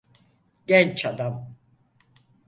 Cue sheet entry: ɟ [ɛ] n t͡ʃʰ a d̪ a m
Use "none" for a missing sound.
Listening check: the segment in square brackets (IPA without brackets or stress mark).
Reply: ɛ